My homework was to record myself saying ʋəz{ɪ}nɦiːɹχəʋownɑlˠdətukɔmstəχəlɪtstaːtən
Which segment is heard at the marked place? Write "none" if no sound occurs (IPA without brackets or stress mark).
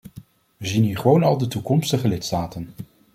i